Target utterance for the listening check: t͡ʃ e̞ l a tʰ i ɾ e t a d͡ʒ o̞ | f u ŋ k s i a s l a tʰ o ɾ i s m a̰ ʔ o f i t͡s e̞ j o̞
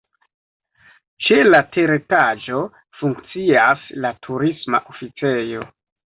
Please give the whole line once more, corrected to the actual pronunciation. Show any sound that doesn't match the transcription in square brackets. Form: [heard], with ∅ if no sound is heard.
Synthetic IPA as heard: t͡ʃ e̞ l a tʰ [e] ɾ e t a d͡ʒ o̞ | f u ŋ k [t͡s] i a s l a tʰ [u] ɾ i s m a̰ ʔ o f i t͡s e̞ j o̞